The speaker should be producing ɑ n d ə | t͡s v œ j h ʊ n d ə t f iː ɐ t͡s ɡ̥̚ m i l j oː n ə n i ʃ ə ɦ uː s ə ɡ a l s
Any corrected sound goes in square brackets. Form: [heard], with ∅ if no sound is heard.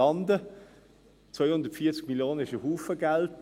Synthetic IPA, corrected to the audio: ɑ n d ə | t͡s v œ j h ʊ n d ə t f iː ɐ t͡s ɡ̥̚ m i l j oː n ə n [ɪ] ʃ ə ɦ uː [f] ə ɡ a l [t]